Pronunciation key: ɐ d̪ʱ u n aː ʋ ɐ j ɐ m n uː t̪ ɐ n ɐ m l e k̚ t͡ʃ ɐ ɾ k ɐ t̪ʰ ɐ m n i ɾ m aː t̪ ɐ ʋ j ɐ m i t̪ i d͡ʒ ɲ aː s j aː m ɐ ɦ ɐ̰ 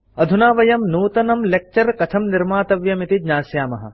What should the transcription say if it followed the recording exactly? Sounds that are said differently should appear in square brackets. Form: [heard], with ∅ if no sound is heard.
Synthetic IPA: ɐ d̪ʱ u n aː ʋ ɐ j ɐ m n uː t̪ ɐ n ɐ m l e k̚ t͡ʃ ɐ ɾ k ɐ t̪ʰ ɐ m n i ɾ m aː t̪ ɐ ʋ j ɐ m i t̪ i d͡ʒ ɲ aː s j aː m ɐ ɦ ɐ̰